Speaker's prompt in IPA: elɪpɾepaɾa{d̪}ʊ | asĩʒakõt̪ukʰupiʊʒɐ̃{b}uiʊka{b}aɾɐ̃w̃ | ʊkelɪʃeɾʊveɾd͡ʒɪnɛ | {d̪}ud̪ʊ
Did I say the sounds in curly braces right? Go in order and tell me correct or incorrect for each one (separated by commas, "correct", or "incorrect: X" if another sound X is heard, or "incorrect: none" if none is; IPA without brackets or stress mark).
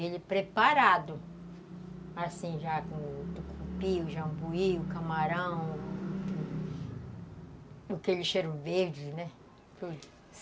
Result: correct, correct, incorrect: m, incorrect: t̪